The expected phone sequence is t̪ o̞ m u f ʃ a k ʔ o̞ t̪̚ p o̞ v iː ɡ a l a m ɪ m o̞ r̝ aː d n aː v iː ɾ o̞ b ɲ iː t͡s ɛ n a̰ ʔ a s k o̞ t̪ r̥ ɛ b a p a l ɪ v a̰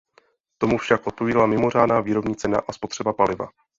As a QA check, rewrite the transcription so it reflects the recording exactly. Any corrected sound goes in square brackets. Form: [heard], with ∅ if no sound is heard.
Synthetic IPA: t̪ o̞ m u f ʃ a k ʔ o̞ t̪̚ p o̞ v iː [d] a l a m ɪ m o̞ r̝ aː d n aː v iː ɾ o̞ b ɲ iː t͡s ɛ n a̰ ʔ a s [p] o̞ t̪ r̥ ɛ b a p a l ɪ v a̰

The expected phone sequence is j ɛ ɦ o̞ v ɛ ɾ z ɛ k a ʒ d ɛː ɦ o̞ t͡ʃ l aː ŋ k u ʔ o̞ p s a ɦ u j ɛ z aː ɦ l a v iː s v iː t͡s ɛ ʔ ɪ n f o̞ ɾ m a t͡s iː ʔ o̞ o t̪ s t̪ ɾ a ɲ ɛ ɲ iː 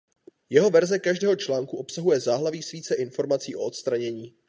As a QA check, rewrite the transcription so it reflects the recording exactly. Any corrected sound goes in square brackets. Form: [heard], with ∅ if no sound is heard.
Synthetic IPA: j ɛ ɦ o̞ v ɛ ɾ z ɛ k a ʒ d ɛː ɦ o̞ t͡ʃ l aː ŋ k u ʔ o̞ p s a ɦ u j ɛ z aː ɦ l a v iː s v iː t͡s ɛ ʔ ɪ n f o̞ ɾ m a t͡s iː ʔ o̞ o t̪ s t̪ ɾ a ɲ ɛ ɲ iː

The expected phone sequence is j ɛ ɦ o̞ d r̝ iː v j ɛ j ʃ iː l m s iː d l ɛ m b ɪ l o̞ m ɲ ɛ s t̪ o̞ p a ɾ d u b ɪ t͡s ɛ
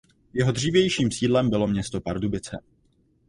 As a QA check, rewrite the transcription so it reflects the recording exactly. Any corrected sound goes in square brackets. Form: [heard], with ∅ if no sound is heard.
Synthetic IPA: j ɛ ɦ o̞ d r̝ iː v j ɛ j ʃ iː [∅] m s iː d l ɛ m b ɪ l o̞ m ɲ ɛ s t̪ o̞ p a ɾ d u b ɪ t͡s ɛ

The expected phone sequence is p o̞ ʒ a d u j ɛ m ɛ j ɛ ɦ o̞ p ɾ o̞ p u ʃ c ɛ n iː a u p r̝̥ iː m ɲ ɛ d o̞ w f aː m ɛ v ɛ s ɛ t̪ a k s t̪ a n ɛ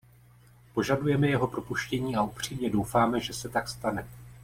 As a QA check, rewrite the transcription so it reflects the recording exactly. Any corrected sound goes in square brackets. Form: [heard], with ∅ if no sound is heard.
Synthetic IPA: p o̞ ʒ a d u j ɛ m ɛ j ɛ ɦ o̞ p ɾ o̞ p u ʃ c ɛ [ɲ] iː a u p r̝̥ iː m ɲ ɛ d o̞ w f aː m ɛ [ʒ] ɛ s ɛ t̪ a k s t̪ a n ɛ

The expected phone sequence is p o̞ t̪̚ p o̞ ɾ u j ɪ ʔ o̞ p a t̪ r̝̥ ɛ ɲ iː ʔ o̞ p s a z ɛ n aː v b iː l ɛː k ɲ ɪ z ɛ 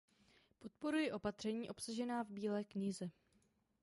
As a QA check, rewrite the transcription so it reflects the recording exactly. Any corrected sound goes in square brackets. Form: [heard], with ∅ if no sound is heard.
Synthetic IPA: p o̞ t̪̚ p o̞ ɾ u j ɪ ʔ o̞ p a t̪ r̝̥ ɛ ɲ iː ʔ o̞ p s a [ʒ] ɛ n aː v b iː l ɛː k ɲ ɪ z ɛ

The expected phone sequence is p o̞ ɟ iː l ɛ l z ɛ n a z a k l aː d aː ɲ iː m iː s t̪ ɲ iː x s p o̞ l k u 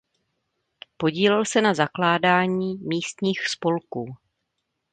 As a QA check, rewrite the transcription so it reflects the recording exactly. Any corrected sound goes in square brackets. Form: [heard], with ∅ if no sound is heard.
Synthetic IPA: p o̞ ɟ iː l ɛ l [s] ɛ n a z a k l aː d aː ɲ iː m iː s t̪ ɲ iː x s p o̞ l k [uː]

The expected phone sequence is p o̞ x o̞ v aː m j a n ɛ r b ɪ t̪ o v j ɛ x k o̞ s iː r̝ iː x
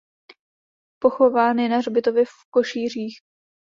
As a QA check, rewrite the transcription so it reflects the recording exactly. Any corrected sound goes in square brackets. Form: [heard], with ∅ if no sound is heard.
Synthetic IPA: p o̞ x o̞ v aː [n] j [ɛ] n [a] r b ɪ t̪ o v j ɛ [f] k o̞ [ʃ] iː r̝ iː x

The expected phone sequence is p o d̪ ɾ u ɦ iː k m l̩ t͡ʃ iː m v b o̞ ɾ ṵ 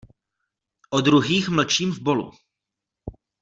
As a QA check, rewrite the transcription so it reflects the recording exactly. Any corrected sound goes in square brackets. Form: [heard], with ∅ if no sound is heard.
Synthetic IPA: [ʔ] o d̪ ɾ u ɦ iː [x] m l̩ t͡ʃ iː m v b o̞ [l] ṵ

